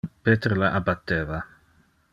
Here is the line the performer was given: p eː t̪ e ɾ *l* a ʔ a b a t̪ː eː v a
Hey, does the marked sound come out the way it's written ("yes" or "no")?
yes